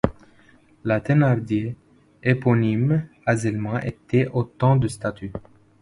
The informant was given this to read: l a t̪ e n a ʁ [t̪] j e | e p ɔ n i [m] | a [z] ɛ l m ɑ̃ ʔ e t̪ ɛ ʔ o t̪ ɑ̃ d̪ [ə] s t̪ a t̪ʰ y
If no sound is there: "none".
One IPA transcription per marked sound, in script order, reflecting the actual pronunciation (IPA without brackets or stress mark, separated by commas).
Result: d̪, m, z, ə